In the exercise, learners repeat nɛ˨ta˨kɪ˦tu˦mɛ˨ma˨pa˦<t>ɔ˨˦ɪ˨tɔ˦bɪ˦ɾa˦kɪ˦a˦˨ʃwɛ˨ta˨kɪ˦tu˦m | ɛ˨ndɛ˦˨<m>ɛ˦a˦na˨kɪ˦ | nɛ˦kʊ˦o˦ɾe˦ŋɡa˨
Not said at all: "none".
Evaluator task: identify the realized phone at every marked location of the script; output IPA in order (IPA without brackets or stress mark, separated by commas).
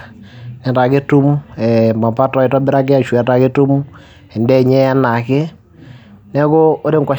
t, ɲ